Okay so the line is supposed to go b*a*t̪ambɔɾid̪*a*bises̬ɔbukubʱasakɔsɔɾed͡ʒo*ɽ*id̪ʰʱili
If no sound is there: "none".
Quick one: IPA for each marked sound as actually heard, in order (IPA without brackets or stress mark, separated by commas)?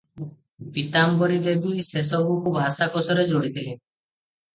i, e, ɽ